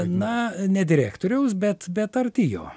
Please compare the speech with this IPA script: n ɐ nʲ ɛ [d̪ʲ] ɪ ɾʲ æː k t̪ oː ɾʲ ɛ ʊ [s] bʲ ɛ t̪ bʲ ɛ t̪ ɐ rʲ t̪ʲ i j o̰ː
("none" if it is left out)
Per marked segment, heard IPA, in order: d̪ʲ, s

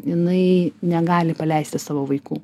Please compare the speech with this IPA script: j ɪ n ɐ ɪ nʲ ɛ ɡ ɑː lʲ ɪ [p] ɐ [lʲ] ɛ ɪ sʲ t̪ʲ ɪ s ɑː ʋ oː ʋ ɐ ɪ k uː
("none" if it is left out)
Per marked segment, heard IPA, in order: p, lʲ

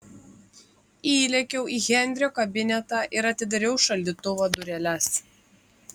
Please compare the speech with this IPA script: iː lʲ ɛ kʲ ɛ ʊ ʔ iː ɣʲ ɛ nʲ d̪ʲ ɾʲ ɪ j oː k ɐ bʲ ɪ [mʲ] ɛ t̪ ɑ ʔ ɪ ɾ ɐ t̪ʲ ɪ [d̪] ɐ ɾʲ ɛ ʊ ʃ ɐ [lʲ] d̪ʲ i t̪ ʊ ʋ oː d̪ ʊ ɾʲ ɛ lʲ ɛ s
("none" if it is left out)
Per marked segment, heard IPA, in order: nʲ, d̪, lʲ

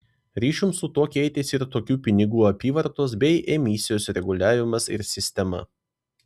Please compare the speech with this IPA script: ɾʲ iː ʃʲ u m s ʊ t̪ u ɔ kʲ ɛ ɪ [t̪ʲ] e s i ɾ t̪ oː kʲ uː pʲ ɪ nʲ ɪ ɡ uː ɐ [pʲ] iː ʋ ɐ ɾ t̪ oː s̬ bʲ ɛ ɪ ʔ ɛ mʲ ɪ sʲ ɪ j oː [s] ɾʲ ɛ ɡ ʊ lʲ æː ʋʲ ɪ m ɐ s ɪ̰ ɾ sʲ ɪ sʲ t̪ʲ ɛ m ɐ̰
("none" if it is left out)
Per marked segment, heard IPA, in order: t̪ʲ, pʲ, s

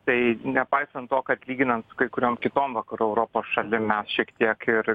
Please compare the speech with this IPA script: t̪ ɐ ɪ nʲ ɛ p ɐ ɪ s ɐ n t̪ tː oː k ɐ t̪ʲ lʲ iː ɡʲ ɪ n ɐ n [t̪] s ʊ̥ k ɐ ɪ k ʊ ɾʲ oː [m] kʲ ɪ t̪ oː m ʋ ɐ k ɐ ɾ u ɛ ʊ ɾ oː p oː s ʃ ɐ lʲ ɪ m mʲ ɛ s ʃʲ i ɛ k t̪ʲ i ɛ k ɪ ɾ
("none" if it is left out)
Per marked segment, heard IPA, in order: t̪, m

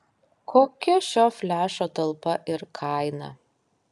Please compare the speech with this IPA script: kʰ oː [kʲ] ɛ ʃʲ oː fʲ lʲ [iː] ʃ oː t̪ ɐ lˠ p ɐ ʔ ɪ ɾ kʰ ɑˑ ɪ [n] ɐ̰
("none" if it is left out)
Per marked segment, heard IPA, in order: kʲ, æː, n

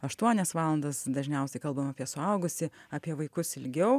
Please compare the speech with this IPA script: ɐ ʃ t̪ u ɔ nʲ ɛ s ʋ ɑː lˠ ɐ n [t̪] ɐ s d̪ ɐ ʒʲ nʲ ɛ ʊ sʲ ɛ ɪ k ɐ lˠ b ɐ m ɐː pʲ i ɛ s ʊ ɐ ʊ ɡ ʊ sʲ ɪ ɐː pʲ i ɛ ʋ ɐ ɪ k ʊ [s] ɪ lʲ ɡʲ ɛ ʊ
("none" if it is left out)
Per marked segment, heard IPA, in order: d̪, s

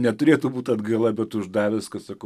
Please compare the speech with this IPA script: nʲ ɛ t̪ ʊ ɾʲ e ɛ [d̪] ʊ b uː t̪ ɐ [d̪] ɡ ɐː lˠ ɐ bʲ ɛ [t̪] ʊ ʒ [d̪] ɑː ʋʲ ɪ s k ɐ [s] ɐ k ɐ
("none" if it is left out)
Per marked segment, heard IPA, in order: t̪, d̪, t̪, d̪, s

